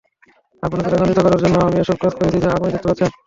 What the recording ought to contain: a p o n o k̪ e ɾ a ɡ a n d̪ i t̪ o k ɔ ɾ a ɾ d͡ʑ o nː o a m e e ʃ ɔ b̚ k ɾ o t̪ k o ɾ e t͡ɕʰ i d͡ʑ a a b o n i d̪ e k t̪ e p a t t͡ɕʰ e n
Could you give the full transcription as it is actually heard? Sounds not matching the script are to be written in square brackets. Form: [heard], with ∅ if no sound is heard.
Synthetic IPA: a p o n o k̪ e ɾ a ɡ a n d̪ i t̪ o k ɔ ɾ a ɾ d͡ʑ o nː o a m [i] e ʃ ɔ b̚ k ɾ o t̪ k o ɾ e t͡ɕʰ i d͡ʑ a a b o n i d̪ e k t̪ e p a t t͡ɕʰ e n